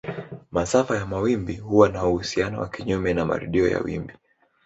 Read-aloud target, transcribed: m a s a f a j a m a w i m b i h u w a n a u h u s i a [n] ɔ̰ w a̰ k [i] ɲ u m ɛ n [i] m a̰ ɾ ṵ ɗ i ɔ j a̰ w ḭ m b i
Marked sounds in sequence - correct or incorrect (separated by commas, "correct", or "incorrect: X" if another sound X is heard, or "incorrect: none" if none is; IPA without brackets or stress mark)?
correct, correct, incorrect: a